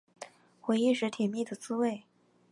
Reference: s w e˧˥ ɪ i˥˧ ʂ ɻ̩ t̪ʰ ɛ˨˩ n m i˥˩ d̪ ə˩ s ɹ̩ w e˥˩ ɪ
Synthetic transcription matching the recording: x w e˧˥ ɪ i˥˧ ʂ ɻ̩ t̪ʰ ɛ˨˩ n m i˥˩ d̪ ə˩ t͡s ɹ̩ w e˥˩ ɪ